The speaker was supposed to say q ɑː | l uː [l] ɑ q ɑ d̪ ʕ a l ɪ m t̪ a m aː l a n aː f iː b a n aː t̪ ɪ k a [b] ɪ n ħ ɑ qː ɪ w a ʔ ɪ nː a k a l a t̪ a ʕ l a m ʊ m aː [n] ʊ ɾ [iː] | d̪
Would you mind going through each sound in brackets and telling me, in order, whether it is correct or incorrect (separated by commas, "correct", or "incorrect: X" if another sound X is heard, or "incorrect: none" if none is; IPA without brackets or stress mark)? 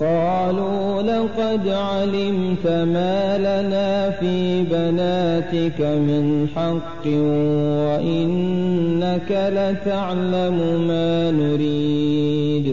correct, incorrect: m, correct, correct